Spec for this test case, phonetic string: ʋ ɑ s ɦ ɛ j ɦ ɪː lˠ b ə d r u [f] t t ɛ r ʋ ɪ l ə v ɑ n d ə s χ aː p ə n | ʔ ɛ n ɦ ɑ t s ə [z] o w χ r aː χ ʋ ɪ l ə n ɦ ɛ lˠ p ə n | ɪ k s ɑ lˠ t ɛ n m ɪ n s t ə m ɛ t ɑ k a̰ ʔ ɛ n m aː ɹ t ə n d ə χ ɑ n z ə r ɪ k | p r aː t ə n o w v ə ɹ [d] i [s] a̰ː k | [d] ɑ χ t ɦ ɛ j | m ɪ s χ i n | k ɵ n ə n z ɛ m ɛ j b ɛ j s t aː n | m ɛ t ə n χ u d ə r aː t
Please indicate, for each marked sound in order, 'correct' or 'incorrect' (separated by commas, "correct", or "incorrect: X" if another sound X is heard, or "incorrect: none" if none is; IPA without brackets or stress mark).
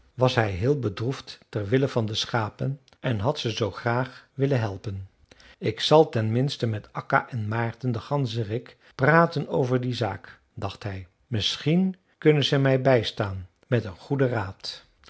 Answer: correct, correct, correct, incorrect: z, correct